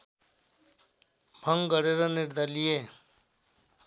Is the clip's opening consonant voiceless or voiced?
voiced